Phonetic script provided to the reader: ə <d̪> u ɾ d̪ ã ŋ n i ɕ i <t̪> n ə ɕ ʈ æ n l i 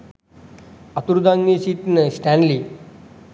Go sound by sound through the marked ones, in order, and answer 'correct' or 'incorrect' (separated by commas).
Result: incorrect, correct